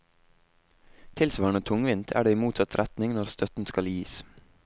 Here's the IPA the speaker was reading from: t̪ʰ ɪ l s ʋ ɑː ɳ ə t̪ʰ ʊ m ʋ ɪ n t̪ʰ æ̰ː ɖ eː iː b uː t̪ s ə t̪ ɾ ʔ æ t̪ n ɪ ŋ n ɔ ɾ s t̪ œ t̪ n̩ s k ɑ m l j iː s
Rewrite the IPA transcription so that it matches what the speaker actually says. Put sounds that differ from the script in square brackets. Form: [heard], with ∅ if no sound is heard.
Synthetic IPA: t̪ʰ ɪ l s ʋ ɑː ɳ ə t̪ʰ ʊ [ŋ] ʋ ɪ n t̪ʰ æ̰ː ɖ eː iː [m] uː t̪ s [ɑ] t̪ ɾ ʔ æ t̪ n ɪ ŋ n ɔ ɾ s t̪ œ t̪ n̩ s k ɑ [∅] l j iː s

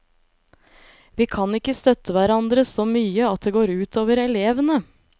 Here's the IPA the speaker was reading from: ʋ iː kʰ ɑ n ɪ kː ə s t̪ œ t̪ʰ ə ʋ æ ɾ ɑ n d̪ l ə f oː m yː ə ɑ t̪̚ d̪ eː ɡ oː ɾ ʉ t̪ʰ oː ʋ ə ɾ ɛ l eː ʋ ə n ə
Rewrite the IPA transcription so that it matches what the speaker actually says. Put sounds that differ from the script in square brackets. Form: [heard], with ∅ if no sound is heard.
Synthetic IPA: ʋ iː kʰ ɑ n ɪ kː ə s t̪ œ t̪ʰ ə ʋ æ ɾ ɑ n d̪ [ɾ] ə [s] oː m yː ə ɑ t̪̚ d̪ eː ɡ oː ɾ [ʉː] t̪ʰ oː ʋ ə ɾ ɛ l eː ʋ ə n ə

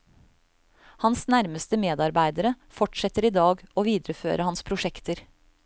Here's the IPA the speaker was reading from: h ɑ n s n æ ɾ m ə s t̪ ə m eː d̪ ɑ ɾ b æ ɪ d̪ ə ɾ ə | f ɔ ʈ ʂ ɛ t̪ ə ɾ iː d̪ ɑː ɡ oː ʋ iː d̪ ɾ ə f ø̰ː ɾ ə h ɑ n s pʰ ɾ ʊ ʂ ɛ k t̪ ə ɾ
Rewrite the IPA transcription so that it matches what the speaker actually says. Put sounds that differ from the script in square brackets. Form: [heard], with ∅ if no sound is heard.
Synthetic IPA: h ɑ n s n æ ɾ m ə s t̪ ə m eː d̪ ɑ ɾ b æ ɪ d̪ ə ɾ ə | f ɔ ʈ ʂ ɛ t̪ ə ɾ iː d̪ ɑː ɡ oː ʋ iː d̪ ɾ ə f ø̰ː ɾ ə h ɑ n s pʰ ɾ ʊ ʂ ɛ k t̪ ə ɾ

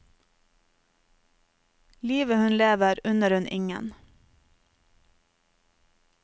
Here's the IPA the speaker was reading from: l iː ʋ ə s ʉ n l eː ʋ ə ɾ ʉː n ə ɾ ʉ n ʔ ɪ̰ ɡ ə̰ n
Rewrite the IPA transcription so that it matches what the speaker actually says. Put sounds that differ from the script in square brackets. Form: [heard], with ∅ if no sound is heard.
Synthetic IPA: l iː ʋ ə [h] ʉ n l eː ʋ ə ɾ [ʉ] n ə ɾ ʉ n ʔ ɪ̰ [ŋ] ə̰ n

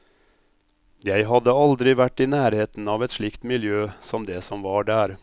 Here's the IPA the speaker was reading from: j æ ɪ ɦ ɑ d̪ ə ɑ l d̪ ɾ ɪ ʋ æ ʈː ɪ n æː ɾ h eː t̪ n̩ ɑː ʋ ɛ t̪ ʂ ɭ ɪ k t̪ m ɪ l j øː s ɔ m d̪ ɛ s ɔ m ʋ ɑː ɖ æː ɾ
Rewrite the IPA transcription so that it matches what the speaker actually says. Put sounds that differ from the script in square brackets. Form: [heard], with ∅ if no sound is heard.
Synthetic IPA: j æ ɪ ɦ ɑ d̪ ə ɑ l d̪ ɾ ɪ ʋ æ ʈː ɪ n æː ɾ h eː t̪ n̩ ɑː ʋ ɛ t̪ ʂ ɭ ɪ k t̪ m ɪ l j øː s ɔ m d̪ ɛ s ɔ m ʋ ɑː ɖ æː ɾ

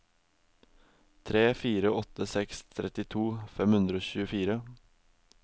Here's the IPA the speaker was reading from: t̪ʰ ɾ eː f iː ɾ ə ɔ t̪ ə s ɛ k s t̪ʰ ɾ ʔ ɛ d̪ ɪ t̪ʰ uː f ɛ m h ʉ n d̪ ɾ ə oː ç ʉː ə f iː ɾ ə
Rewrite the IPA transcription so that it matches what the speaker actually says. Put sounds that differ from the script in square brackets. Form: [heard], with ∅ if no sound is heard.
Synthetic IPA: t̪ʰ ɾ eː f iː ɾ ə ɔ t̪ ə s ɛ k s t̪ʰ ɾ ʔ ɛ [t̪] ɪ t̪ʰ uː f ɛ m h ʉ n d̪ ɾ ə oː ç ʉː ə f iː ɾ ə

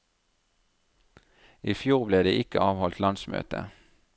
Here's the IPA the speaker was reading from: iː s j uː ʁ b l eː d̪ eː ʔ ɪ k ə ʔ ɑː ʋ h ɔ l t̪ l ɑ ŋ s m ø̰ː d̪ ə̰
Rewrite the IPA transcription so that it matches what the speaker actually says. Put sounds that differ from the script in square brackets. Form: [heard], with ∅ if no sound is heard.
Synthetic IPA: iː [f] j uː ʁ b l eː d̪ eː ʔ ɪ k ə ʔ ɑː ʋ h ɔ l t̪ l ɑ [n] s m ø̰ː [t̪] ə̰

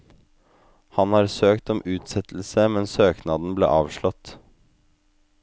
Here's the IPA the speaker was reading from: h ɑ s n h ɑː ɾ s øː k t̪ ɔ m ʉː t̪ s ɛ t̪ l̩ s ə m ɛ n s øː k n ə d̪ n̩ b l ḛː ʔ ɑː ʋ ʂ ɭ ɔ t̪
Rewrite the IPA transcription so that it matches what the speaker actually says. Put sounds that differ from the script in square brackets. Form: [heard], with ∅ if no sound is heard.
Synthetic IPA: h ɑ [∅] n h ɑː ɾ s øː k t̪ ɔ m ʉː t̪ s ɛ t̪ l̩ s ə m ɛ n s øː k n [ɑ] d̪ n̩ b l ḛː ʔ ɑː ʋ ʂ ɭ ɔ t̪

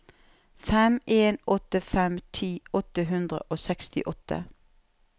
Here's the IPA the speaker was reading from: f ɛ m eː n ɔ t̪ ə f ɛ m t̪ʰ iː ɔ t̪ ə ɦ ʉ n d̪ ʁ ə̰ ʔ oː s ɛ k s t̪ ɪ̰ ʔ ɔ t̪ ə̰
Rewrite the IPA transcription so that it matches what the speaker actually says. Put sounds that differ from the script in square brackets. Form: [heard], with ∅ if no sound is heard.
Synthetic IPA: f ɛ m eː n ɔ t̪ ə f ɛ m t̪ʰ iː ɔ t̪ ə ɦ ʉ n d̪ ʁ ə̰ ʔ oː s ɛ k s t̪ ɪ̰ ʔ ɔ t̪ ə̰

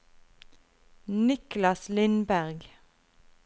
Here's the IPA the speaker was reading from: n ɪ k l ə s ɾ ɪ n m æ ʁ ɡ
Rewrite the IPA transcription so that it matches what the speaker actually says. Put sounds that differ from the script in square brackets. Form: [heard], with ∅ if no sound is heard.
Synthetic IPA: n ɪ k l [ɑ] s [l] ɪ n [b] æ ʁ ɡ

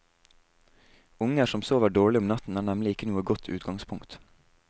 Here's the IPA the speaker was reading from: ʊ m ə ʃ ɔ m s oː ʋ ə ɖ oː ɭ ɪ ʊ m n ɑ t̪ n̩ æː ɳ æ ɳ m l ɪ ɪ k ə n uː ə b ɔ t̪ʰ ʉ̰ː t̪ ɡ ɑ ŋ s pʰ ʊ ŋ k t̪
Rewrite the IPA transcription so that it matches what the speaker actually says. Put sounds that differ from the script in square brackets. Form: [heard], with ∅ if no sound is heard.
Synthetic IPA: ʊ [ŋ] ə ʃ ɔ m s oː ʋ ə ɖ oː ɭ ɪ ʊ m n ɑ t̪ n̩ æː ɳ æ [∅] m l ɪ ɪ k ə n uː ə [ɡ] ɔ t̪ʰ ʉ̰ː t̪ ɡ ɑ ŋ s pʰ ʊ ŋ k t̪

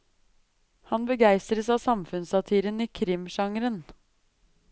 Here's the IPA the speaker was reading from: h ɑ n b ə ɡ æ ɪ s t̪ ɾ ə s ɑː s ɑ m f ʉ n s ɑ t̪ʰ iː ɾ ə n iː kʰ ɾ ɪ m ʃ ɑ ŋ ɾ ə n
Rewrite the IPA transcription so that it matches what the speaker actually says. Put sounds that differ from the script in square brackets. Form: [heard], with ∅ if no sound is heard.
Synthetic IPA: h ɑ n b ə ɡ æ ɪ s t̪ ɾ ə s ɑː s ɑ m f ʉ n s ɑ t̪ʰ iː ɾ ə n iː kʰ ɾ ɪ m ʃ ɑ ŋ ɾ ə n

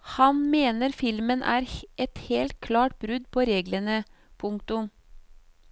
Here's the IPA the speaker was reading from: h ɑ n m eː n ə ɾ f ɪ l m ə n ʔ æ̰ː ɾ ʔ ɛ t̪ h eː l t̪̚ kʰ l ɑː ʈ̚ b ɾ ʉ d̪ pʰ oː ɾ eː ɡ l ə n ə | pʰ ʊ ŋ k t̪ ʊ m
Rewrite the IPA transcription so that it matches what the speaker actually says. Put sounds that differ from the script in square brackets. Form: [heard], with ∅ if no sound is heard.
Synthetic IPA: h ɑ n m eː n ə ɾ f ɪ l m ə n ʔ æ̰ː ɾ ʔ ɛ t̪ h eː l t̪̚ kʰ l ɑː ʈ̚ b ɾ ʉ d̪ pʰ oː ɾ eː ɡ l ə n ə | pʰ ʊ ŋ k t̪ ʊ m

